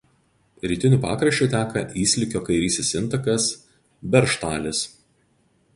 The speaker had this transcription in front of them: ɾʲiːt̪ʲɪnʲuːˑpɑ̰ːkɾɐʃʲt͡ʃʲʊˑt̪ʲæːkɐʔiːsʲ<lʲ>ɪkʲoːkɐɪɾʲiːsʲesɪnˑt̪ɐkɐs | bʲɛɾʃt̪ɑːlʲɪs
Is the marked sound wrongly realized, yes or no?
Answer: no